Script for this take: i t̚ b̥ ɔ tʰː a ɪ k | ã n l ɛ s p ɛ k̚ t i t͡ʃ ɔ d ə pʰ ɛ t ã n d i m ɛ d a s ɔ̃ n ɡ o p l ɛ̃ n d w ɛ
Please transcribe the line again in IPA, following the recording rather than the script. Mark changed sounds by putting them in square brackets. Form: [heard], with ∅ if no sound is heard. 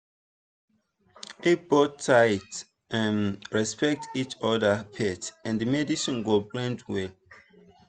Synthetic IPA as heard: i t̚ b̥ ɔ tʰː a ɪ [t] | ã n [ɹ] ɛ s p ɛ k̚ t i t͡ʃ ɔ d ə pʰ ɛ t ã n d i m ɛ d [i] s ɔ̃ n ɡ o [b] l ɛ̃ n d w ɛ